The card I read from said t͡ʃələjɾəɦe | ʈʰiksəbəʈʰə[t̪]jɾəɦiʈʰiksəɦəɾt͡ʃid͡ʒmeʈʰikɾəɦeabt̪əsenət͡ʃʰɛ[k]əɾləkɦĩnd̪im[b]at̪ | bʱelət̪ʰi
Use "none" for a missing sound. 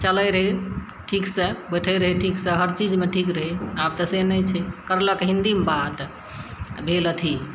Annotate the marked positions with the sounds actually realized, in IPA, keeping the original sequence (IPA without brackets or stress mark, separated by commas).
none, k, b